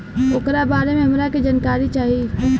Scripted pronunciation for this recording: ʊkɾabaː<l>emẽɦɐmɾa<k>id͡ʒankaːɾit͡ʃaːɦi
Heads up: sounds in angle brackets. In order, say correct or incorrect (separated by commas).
incorrect, correct